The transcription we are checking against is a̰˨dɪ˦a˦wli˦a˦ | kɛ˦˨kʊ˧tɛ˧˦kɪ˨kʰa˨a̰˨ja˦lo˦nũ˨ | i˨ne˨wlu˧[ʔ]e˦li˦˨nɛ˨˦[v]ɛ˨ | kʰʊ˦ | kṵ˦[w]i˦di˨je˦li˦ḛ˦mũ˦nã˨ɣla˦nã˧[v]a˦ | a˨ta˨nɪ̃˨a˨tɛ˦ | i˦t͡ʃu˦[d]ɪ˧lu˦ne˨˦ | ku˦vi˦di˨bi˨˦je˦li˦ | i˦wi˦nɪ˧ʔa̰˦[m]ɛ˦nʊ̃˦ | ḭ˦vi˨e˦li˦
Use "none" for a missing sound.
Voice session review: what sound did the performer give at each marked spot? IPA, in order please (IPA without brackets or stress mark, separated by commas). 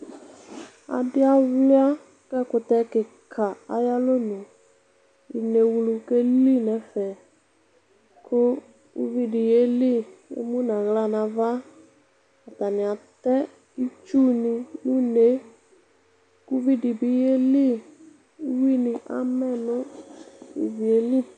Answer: k, f, v, v, n, m